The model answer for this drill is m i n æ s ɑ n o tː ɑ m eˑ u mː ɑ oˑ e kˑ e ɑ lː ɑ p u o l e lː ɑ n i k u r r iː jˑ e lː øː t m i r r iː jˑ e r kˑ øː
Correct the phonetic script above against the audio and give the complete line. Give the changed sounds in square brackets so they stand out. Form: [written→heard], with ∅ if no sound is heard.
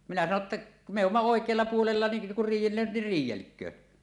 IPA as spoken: m i n æ s ɑ n o tː ɑ m eˑ u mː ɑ oˑ e kˑ e ɑ lː ɑ p u o l e lː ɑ n i k u r r iː jˑ e lː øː t [m→n] i r r iː jˑ e [r→l] kˑ øː